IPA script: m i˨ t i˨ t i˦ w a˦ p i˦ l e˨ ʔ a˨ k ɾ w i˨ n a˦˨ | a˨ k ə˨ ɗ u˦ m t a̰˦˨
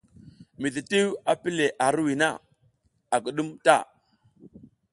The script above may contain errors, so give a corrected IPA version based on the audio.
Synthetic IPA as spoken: m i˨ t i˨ t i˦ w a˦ p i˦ l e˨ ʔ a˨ ɾ w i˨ n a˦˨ | a˨ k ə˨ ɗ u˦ m t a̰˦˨